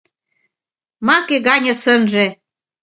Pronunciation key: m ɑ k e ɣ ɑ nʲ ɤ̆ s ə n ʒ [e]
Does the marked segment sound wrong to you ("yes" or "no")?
no